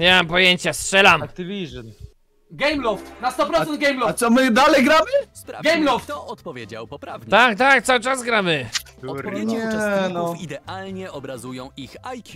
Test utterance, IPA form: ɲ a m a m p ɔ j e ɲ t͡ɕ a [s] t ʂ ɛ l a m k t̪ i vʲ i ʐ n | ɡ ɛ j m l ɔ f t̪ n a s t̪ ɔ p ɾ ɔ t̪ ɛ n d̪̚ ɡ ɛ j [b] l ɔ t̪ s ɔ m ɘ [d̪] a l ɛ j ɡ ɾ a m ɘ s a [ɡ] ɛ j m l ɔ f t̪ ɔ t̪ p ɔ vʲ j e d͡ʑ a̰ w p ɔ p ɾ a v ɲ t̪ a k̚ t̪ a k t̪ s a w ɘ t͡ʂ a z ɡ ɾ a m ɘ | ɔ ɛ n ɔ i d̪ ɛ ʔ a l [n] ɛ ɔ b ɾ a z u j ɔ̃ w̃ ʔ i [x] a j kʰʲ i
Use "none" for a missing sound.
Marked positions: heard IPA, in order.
s, m, d̪, ɡ, ɲ, x

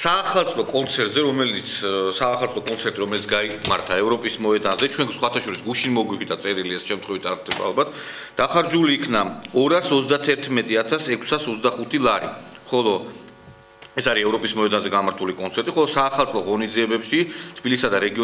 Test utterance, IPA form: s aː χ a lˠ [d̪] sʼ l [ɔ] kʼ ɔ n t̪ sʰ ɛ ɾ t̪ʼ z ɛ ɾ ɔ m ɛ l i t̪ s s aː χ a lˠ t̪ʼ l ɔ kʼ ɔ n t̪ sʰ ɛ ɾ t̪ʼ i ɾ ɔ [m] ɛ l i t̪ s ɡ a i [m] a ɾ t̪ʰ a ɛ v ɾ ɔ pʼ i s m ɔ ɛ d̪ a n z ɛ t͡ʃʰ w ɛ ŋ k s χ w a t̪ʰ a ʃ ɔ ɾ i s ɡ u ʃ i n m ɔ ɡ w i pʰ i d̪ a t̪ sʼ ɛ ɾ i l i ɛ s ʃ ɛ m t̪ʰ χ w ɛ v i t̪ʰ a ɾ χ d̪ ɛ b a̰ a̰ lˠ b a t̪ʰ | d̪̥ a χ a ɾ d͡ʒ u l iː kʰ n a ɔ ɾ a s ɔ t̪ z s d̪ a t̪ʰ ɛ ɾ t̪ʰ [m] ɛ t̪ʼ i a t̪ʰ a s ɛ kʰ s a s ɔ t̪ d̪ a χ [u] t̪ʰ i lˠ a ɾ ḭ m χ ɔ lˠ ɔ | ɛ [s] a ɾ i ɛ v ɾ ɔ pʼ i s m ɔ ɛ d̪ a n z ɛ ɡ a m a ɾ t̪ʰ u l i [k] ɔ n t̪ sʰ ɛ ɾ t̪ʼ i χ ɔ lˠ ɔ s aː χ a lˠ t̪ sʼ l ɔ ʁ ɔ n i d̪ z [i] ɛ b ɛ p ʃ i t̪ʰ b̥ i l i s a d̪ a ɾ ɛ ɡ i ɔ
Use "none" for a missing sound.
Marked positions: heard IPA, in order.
t̪, ɔ, m, m, m, u, s, kʼ, i

